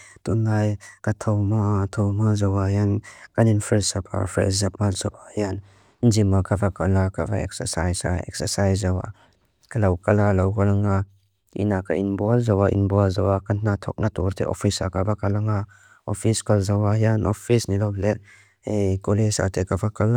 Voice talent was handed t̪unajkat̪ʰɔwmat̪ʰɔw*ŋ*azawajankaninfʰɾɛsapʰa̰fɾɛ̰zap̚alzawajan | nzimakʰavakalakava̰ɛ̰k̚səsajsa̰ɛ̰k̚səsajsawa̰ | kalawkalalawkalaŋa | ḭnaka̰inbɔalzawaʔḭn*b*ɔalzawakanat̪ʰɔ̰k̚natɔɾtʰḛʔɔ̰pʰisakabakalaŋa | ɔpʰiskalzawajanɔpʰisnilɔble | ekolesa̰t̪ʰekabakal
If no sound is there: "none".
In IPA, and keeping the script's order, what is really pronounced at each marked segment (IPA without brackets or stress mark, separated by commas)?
m, b